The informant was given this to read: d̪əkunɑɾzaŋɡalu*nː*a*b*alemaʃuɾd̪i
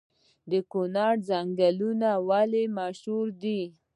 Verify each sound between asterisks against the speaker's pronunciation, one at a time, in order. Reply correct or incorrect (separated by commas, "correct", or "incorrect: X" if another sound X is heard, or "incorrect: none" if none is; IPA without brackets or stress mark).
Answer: incorrect: n, incorrect: w